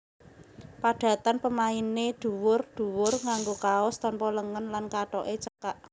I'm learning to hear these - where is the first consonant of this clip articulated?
lips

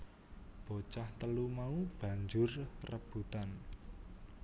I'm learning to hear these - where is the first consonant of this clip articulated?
lips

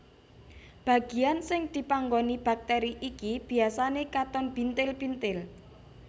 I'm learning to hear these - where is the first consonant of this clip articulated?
lips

